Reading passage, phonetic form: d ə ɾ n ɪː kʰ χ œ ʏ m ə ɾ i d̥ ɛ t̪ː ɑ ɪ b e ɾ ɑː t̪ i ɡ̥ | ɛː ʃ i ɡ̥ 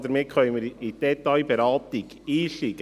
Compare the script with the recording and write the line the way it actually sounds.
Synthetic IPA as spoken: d ə ɾ m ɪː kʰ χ œ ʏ m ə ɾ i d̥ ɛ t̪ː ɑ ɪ b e ɾ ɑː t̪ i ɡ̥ | iː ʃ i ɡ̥

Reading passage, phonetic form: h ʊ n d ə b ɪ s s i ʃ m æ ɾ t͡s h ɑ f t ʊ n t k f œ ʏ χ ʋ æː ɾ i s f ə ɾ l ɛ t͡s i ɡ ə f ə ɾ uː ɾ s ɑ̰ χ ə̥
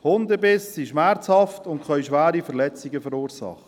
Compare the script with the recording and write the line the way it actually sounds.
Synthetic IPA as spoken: h ʊ n d ə b ɪ s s i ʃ m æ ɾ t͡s h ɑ f t ʊ n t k χ œ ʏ ʃ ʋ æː ɾ i f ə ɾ l ɛ t͡s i ɡ ə f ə ɾ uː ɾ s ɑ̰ χ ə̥

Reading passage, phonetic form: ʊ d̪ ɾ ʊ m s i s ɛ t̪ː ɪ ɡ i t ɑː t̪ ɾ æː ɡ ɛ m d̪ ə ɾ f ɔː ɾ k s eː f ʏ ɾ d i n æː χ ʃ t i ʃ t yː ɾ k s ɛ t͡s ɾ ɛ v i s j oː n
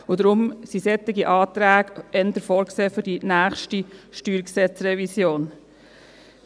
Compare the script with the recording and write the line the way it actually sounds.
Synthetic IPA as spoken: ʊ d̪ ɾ ʊ m s i s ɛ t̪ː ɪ ɡ i ʔ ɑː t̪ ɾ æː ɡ ɛ n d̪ ə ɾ f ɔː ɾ k s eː f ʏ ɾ d i n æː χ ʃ t i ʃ t yː ɾ k s ɛ t͡s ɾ ɛ v i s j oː n

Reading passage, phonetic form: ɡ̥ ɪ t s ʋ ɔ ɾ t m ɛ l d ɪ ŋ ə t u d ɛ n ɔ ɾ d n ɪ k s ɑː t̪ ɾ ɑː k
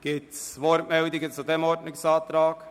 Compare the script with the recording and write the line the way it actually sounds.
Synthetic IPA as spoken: ɡ̥ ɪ t s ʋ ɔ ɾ t m ɛ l d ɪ ɡ ə t͡s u d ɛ m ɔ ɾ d n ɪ k s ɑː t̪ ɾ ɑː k

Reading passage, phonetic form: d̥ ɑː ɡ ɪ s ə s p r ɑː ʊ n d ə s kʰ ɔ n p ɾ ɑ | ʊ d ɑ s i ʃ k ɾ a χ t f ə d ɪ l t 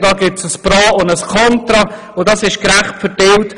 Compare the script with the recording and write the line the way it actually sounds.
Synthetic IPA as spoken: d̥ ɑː ɡ ɪ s ə s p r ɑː ʊ n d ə s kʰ ɔ n t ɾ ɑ | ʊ d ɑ s ɪ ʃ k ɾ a χ t f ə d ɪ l t

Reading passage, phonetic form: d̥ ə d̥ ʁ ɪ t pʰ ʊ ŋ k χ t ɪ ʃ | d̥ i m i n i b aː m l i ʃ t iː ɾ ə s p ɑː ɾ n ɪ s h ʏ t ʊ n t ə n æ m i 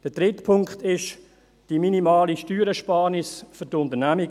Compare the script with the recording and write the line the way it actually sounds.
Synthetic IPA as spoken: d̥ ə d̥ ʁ ɪ t pʰ ʊ ŋ k χ t ɪ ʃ | d̥ i m i n i m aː l i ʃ t yː ɾ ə ʃ p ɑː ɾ n ɪ s f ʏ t ʊ n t ə n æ m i

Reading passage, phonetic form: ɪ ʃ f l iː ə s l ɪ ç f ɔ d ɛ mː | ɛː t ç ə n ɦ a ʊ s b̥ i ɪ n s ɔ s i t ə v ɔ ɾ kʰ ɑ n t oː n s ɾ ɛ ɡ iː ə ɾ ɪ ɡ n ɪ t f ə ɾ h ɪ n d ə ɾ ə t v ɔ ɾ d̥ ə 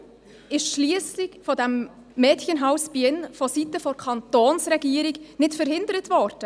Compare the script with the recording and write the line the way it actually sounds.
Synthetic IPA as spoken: ɪ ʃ ʃ l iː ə s l ɪ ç f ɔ d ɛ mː | ɛː t ç ə n ɦ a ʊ s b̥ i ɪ n f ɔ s i t ə f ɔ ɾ kʰ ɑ n t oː n s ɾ ɛ ɡ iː ə ɾ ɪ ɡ n ɪ t f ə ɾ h ɪ n d ə ɾ ə t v ɔ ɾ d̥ ə

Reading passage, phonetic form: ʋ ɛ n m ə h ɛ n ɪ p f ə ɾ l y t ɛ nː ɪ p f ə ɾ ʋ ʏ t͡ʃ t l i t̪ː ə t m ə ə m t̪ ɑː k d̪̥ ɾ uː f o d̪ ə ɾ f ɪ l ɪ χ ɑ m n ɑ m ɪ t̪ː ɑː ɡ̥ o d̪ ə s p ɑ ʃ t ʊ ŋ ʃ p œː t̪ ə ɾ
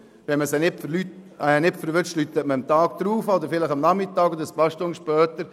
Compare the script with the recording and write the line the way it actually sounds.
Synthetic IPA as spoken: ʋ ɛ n m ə s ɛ n ɪ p f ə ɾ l y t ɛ n ɪ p f ə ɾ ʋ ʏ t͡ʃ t l y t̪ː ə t m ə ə m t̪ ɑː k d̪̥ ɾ uː f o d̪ ə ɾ f ɪ l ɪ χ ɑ m n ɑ m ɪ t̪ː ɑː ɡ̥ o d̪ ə s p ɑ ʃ t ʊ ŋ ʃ p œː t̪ ə ɾ

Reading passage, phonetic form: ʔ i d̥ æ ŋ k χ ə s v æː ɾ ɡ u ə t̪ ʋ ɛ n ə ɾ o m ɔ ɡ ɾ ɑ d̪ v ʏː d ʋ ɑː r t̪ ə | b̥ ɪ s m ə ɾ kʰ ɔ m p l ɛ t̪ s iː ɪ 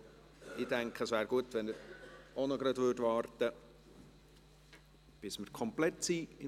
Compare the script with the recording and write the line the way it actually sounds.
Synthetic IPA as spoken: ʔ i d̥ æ ŋ k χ ə s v æː ɾ ɡ u ə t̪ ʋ ɛ n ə ɾ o n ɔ ɡ ɾ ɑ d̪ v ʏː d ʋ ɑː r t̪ ə | b̥ ɪ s m ə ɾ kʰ ɔ m p l ɛ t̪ s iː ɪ

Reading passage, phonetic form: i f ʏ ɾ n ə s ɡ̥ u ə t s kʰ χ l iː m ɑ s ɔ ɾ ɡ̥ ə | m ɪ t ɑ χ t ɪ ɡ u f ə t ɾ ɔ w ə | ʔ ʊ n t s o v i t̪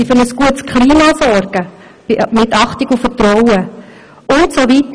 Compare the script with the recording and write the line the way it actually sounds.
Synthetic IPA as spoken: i f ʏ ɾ n ə s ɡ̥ u ə t s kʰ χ l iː m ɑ s ɔ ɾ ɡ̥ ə | m ɪ t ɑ χ t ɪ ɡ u f ə t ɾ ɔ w ə | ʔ ʊ n t s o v i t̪

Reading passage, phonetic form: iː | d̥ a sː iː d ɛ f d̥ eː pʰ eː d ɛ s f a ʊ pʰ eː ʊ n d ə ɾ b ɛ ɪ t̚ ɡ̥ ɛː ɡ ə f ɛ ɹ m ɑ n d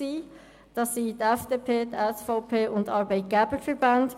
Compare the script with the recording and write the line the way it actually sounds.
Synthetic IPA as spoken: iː | d̥ ɑ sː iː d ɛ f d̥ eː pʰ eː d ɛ s f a ʊ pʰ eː ʊ n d ɑ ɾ b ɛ ɪ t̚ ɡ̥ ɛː b ə f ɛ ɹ b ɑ n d

